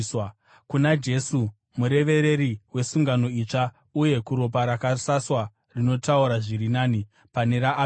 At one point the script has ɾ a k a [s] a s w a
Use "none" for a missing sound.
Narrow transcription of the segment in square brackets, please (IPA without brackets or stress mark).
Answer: s